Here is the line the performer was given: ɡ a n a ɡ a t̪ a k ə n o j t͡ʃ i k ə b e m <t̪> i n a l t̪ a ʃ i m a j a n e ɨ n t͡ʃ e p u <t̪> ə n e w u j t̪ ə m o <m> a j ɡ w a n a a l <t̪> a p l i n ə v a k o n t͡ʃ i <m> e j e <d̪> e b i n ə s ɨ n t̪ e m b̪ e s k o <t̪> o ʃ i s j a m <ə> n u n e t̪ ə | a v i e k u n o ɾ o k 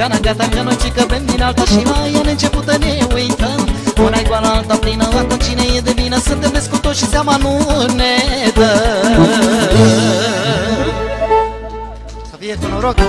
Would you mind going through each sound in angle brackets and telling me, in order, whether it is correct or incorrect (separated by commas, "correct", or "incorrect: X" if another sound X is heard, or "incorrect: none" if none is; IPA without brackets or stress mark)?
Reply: incorrect: d̪, correct, incorrect: n, correct, incorrect: n, correct, correct, incorrect: a